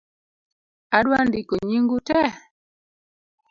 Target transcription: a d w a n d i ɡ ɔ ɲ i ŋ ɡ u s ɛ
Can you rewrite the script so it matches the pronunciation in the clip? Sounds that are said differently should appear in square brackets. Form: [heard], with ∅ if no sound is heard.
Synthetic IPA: a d w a n d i [k] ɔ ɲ i ŋ ɡ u [t] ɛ

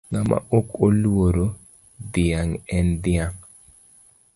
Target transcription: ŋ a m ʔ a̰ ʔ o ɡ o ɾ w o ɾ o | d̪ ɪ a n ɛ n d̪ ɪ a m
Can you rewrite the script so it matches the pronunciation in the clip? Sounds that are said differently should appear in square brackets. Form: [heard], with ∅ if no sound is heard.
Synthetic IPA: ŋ a m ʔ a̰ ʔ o [k] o [l] w o ɾ o | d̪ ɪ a [ŋ] ɛ n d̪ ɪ a [ŋ]

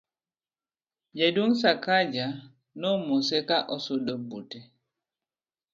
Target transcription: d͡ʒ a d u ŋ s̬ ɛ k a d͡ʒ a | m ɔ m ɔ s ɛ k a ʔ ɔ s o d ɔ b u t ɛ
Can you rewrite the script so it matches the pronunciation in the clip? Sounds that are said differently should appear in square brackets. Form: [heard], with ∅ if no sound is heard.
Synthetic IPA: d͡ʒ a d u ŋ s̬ [a] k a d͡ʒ a | [n] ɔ m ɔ s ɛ k a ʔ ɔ s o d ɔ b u t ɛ

